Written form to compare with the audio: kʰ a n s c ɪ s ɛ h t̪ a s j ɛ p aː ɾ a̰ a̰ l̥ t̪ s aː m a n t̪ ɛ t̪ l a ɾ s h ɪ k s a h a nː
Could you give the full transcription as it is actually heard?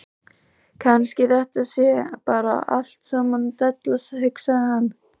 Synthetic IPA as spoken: kʰ a n s c ɪ θ ɛ h t̪ a s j ɛ p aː ɾ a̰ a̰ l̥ t̪ s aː m a n t̪ ɛ t̪ l a s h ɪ k s a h a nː